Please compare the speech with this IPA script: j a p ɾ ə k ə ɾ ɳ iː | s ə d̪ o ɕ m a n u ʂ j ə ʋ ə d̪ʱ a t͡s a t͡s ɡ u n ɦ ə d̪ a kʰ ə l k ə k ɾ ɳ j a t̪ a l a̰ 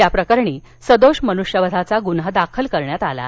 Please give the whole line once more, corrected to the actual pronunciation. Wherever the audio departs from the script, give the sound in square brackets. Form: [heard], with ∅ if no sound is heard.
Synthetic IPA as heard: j a p ɾ ə k ə ɾ ɳ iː | s ə d̪ o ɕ m [ə] n u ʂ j ə ʋ ə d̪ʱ a t͡s a [∅] ɡ u n ɦ ə d̪ a kʰ ə l k ə [∅] ɾ ɳ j a t̪ a l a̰